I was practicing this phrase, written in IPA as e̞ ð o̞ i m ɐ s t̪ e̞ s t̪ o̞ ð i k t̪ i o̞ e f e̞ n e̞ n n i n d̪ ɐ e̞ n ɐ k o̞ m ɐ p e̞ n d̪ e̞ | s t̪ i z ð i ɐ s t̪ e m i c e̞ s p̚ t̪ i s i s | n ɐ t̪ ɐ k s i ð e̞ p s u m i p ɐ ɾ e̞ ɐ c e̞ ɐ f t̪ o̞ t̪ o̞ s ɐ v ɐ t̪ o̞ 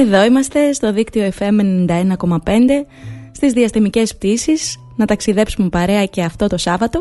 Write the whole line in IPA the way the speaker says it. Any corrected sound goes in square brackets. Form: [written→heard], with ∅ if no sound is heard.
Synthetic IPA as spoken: e̞ ð o̞ i m ɐ s t̪ e̞ s t̪ o̞ ð i k t̪ i o̞ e f e̞ [n→m] e̞ n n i n d̪ ɐ e̞ n ɐ k o̞ m ɐ p e̞ n d̪ e̞ | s t̪ i z ð i ɐ s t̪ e m i c e̞ s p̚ t̪ i s i s | n ɐ t̪ ɐ k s i ð e̞ p s u m [i→e] p ɐ ɾ e̞ ɐ c e̞ ɐ f t̪ o̞ t̪ o̞ s ɐ v ɐ t̪ o̞